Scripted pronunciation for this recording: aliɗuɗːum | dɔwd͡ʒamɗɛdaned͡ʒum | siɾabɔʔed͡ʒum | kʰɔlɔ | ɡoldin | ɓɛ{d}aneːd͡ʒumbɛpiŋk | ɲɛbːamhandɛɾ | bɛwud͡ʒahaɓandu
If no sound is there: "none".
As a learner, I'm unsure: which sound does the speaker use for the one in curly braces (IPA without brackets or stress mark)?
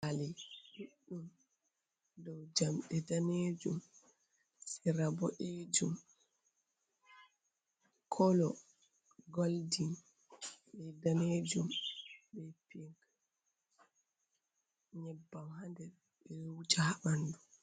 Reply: d